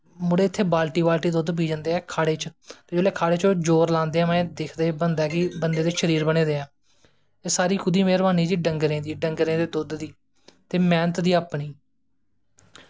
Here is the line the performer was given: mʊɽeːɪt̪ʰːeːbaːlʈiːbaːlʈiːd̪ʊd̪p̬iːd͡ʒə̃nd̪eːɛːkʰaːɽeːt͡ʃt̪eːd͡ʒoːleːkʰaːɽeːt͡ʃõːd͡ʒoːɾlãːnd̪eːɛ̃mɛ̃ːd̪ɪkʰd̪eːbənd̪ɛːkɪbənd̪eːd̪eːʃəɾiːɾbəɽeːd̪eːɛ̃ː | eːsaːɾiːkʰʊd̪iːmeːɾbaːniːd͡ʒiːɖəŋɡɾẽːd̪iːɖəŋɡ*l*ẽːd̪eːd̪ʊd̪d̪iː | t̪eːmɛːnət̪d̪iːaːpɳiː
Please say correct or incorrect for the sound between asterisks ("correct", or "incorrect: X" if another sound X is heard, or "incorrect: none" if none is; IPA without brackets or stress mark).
incorrect: ɾ